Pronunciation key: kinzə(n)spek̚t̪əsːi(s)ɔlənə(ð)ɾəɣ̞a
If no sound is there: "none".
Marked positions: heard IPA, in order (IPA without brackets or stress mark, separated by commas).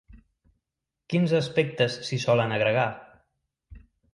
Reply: none, s, ɣ